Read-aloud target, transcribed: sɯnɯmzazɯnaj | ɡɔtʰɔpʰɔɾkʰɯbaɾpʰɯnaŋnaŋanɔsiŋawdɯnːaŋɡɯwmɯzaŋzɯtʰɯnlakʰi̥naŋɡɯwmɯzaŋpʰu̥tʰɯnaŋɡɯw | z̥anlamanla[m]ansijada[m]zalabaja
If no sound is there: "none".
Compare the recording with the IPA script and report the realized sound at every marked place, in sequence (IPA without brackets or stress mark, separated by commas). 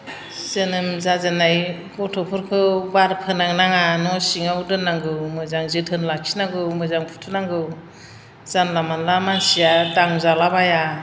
m, ŋ